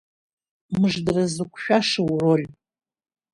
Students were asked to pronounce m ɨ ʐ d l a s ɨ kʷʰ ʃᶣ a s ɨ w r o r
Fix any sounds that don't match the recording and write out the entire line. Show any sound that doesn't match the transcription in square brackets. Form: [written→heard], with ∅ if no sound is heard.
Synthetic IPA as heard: m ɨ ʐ d [l→r] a [s→z] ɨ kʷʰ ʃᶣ a [s→ʂ] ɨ w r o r